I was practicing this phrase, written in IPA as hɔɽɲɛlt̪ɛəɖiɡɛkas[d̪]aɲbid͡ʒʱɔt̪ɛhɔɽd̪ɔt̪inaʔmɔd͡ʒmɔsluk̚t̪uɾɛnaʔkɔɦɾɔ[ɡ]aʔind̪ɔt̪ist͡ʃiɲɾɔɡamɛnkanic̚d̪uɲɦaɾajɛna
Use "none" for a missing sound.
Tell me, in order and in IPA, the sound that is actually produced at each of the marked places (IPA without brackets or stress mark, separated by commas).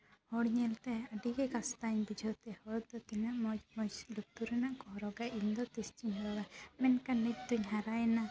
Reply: t̪, ɡ